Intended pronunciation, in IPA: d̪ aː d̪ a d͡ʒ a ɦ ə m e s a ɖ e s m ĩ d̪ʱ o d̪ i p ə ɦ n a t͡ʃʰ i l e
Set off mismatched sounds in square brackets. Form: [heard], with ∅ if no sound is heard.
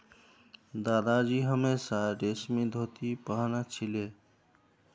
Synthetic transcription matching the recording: d̪ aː d̪ a d͡ʒ [i] ɦ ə m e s a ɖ e s m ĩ d̪ʱ o [t̪] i p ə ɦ n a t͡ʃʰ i l e